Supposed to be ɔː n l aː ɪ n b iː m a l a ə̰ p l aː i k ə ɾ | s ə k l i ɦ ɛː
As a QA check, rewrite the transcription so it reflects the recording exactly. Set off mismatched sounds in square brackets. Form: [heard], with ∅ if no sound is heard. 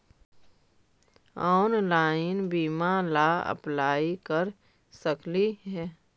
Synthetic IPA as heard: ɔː n l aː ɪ n b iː m a l a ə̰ p l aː i k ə ɾ | s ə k l i ɦ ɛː